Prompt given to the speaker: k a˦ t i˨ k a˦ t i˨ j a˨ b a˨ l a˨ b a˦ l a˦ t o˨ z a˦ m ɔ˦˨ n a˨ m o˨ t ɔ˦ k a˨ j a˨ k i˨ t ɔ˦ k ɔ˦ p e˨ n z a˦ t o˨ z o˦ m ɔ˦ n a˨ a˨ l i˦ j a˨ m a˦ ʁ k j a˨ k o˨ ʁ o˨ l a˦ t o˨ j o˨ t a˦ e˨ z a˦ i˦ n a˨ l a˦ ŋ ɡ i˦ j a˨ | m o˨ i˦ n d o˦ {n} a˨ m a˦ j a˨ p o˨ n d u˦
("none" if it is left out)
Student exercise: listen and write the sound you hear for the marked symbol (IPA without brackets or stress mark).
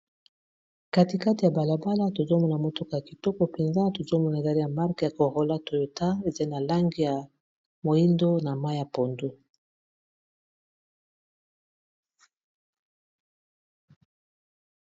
n